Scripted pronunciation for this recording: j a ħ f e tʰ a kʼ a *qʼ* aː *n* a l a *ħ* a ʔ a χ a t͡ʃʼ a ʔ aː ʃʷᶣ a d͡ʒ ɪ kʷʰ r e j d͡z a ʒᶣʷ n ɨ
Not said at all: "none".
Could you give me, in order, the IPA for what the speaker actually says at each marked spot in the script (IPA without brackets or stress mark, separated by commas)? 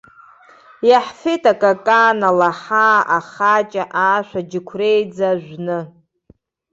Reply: kʼ, n, ħ